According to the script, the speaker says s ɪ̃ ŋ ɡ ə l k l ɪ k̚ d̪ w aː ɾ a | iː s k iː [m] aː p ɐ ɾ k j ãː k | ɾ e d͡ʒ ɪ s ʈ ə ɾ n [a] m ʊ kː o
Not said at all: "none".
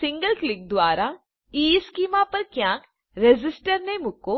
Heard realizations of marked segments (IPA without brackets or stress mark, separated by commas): m, e